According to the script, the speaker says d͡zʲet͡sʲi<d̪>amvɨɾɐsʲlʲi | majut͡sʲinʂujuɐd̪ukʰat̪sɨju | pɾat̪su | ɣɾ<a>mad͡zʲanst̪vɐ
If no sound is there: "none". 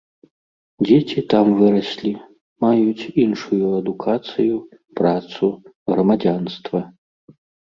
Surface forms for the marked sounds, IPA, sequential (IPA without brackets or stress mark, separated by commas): t̪, ɐ